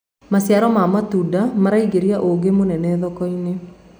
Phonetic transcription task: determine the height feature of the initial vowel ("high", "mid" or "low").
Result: low